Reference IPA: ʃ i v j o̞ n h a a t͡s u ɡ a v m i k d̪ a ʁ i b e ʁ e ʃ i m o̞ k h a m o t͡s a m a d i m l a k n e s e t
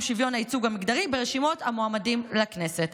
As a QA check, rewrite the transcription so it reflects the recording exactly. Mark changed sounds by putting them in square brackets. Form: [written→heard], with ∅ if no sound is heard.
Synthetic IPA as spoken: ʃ i v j o̞ n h a [a→i] t͡s u ɡ a [v→∅] m i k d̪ a ʁ i b e ʁ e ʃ i m o̞ [k→t] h a m o [t͡s→∅] a m a d i m l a k n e s e t